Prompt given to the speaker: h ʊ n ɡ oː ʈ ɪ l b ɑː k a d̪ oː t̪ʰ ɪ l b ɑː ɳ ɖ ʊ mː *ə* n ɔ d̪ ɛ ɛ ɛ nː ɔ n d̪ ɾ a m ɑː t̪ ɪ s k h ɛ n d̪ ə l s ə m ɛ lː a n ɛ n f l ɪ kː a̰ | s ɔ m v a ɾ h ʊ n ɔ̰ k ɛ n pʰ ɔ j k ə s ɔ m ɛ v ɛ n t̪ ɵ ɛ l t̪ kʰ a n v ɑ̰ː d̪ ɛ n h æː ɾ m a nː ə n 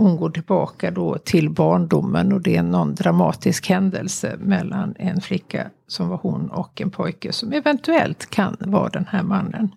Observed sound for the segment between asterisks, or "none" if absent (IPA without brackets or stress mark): ə